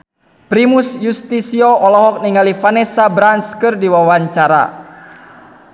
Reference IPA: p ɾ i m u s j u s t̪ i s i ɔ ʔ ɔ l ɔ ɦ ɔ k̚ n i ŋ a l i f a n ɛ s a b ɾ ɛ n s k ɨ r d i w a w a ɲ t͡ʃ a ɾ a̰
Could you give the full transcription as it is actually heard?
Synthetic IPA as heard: p ɾ i m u s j u s t̪ i s i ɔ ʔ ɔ l ɔ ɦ ɔ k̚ n i ŋ a l i f a n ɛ s a b ɾ a n s k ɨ r d i w a w a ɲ t͡ʃ a ɾ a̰